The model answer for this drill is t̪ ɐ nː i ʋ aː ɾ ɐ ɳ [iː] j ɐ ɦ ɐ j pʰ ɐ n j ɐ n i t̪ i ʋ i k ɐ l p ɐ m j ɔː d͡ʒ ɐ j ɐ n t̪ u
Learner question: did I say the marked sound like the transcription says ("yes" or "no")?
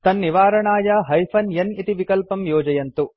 no